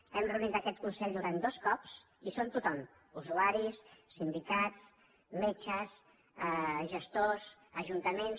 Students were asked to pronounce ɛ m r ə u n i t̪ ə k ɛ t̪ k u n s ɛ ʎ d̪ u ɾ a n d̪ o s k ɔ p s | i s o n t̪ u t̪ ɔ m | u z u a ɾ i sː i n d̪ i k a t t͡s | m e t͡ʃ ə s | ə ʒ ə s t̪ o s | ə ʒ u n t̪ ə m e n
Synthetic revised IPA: ɛ m r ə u n i t̪ ə k ɛ t̪ k u n s ɛ ʎ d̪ u ɾ a n d̪ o s k ɔ p s | i s o n t̪ u t̪ ɔ m | u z u a ɾ i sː i n d̪ i k a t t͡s | m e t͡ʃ ə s | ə ʒ ə s t̪ o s | ə ʒ u n t̪ ə m e n